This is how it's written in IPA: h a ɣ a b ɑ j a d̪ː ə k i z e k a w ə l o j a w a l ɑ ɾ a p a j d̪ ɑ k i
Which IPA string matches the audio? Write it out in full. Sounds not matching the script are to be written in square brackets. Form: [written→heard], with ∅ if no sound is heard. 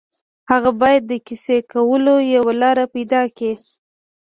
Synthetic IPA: h a ɣ a b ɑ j a d̪ː ə k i [z→s] e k a w ə l o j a w a l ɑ ɾ a p a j d̪ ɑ k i